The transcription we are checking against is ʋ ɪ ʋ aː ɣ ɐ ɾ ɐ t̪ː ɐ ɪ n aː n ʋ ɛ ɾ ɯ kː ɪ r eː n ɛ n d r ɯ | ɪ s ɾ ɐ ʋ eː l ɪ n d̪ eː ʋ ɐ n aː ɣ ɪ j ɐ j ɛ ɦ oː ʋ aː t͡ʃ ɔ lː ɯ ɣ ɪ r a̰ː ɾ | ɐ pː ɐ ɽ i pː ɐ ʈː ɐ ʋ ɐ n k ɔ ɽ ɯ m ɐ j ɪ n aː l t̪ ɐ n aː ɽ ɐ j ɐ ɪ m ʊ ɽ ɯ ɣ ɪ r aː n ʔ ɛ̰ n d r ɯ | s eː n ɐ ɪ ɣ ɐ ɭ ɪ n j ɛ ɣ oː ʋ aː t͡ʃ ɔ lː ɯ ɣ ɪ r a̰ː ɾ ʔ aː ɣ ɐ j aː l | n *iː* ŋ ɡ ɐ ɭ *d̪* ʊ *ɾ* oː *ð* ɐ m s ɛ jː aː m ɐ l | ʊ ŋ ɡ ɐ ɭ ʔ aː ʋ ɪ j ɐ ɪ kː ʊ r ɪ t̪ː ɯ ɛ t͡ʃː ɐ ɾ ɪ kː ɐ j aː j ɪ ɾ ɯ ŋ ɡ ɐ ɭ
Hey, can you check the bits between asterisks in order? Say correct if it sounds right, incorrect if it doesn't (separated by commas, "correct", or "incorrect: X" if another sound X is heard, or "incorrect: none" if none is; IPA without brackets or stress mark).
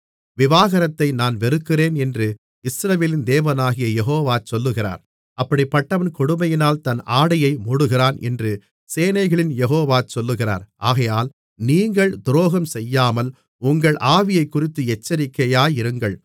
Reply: correct, correct, correct, incorrect: ɣ